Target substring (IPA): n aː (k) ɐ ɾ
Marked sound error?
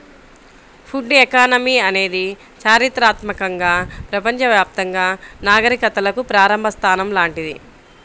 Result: yes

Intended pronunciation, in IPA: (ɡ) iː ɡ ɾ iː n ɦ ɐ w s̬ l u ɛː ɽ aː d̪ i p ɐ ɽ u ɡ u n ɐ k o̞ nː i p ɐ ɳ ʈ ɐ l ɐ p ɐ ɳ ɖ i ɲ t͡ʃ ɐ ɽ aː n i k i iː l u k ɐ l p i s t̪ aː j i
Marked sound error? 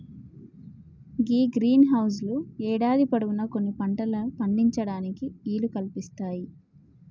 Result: no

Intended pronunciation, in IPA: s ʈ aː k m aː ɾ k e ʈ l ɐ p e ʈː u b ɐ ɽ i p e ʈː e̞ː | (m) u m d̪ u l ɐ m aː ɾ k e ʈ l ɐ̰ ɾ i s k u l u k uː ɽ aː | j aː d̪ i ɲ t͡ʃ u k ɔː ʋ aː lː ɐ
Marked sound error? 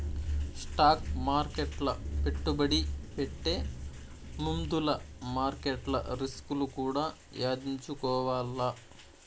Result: no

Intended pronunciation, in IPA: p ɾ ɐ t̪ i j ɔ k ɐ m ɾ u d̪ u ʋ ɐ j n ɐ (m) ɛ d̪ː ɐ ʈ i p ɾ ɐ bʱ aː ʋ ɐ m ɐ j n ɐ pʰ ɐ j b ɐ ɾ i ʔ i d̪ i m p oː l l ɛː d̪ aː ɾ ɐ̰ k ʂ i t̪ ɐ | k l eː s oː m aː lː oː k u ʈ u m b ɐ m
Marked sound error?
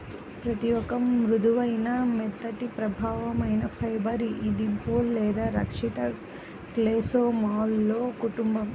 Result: no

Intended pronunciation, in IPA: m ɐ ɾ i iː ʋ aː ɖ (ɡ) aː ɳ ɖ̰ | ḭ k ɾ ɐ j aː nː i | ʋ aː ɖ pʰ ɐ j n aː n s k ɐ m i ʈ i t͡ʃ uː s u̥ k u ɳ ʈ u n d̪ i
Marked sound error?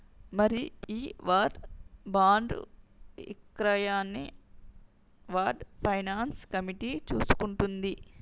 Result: yes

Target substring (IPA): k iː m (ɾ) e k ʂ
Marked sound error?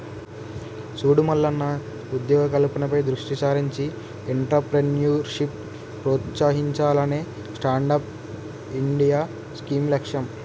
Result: yes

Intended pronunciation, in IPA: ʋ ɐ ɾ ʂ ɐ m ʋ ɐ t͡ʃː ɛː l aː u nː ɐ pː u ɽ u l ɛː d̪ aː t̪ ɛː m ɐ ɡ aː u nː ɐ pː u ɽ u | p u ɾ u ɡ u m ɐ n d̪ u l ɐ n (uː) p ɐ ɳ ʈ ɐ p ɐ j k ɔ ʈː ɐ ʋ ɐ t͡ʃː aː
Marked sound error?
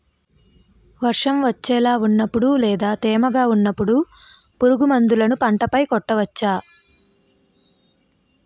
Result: yes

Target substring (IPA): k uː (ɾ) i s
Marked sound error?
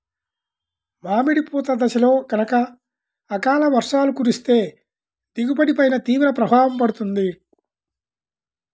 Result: no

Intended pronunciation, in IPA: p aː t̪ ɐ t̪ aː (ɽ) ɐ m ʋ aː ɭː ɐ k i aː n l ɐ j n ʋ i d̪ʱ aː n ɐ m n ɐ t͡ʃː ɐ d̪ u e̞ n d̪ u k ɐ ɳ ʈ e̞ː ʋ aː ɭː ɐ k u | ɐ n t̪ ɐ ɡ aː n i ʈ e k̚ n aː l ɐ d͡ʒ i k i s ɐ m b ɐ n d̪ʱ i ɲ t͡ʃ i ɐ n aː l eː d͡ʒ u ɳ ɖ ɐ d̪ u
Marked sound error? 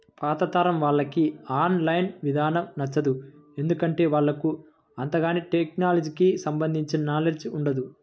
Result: yes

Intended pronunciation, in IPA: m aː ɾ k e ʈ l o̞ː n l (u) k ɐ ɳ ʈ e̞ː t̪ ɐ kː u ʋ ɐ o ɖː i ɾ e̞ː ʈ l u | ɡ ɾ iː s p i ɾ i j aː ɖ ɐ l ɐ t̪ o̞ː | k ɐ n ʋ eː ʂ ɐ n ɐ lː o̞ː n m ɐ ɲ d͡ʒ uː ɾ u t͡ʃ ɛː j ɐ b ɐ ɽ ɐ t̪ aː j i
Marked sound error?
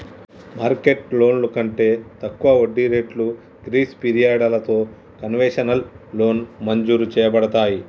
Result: no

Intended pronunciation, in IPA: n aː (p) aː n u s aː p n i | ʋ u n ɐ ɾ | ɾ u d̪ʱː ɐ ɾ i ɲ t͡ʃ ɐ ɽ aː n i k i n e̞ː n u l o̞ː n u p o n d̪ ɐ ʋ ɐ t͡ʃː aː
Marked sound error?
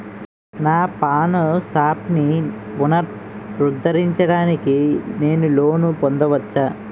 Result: no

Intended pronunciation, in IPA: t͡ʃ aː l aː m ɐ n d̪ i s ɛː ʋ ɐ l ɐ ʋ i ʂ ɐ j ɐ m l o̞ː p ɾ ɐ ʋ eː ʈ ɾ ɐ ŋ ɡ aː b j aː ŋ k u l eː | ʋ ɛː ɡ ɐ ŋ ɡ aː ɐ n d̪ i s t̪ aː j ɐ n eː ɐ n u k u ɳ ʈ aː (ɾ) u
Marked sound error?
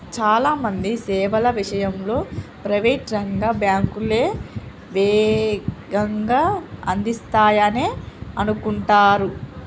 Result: no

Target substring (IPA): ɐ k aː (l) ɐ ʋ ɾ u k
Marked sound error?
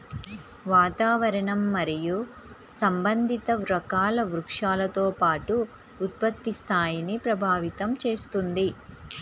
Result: no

